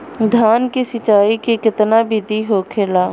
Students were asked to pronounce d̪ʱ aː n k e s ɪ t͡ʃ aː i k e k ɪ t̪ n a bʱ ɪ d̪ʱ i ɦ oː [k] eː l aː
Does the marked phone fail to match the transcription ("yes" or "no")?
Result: yes